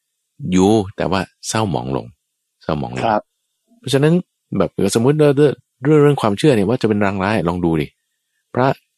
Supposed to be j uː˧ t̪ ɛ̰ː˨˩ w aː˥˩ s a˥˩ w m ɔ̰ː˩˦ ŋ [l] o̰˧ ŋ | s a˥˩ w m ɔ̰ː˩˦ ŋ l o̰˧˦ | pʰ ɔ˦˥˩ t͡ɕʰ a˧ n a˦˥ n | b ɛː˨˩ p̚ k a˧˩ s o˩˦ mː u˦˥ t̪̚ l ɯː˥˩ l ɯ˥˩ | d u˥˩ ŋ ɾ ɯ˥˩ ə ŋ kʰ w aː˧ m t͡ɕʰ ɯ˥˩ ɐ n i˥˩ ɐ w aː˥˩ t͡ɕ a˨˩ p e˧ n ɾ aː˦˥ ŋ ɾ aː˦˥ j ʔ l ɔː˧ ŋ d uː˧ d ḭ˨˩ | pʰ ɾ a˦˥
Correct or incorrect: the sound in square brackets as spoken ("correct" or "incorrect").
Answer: correct